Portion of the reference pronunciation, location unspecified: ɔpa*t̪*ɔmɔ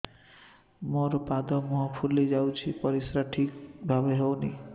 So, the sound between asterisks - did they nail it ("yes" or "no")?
no